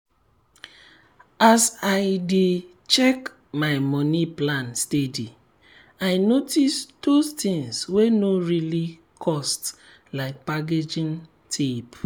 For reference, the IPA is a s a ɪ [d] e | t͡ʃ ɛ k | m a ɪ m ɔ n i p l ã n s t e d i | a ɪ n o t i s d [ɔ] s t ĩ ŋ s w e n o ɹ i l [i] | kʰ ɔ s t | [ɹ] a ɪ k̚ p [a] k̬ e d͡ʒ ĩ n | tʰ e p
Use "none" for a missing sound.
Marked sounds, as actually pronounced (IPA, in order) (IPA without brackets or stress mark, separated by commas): d, o, i, l, a